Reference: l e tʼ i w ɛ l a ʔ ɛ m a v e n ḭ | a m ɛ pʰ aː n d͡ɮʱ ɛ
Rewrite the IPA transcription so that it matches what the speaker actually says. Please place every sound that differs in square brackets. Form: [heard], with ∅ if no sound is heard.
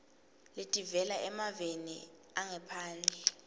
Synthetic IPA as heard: l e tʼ i [v] ɛ l a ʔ ɛ m a v e n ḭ | a [ŋ] ɛ pʰ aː n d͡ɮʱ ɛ